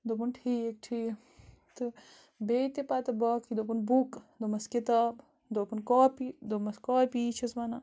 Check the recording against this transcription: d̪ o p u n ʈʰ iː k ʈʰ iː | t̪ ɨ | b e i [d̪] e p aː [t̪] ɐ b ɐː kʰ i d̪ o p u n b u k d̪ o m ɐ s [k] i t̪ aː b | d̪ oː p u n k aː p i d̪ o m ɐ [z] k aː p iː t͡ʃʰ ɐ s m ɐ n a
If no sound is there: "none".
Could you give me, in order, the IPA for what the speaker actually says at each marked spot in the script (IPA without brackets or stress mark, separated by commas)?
t̪, t̪, k, s